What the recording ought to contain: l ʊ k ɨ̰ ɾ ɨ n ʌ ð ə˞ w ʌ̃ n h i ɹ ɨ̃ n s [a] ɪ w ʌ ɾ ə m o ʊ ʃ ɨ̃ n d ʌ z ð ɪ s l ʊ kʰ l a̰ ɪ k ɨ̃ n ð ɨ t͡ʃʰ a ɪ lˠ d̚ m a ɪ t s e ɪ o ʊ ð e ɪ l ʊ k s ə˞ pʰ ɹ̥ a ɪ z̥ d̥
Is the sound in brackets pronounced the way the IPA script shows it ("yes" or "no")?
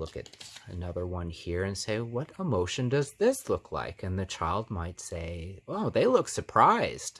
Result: no